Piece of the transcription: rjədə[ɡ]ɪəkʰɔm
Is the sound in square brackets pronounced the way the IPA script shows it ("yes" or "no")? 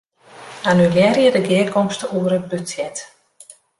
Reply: yes